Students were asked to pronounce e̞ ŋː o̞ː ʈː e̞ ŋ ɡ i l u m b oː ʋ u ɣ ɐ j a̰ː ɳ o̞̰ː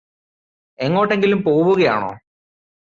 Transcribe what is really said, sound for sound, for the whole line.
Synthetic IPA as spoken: e̞ ŋː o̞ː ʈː e̞ ŋ ɡ i l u m p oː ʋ u ɣ ɐ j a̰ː ɳ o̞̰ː